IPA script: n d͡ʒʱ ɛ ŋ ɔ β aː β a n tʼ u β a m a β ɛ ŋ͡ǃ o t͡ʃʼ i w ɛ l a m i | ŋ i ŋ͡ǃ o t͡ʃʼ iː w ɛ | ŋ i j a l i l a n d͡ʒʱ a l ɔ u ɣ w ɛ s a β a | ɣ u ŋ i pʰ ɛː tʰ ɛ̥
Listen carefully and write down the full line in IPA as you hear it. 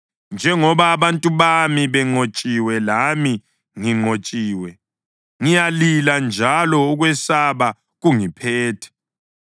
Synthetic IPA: n d͡ʒʱ ɛ ŋ ɔ β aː β a n tʼ u β a m i β ɛ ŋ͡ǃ o t͡ʃʼ i w ɛ l a m i | ŋ i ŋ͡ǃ o t͡ʃʼ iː w ɛ | ŋ i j a l i l a n d͡ʒʱ a l ɔ u ɣ w ɛ s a β a | ɣ u ŋ i pʰ ɛː tʰ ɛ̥